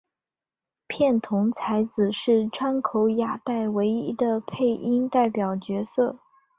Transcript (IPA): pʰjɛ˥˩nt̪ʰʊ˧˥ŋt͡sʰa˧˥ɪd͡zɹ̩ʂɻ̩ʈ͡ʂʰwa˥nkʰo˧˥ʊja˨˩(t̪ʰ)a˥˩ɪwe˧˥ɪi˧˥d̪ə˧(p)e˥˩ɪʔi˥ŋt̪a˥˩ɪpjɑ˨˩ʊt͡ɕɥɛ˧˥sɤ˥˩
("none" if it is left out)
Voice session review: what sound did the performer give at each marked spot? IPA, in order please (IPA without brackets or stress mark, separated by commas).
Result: t̪, pʰ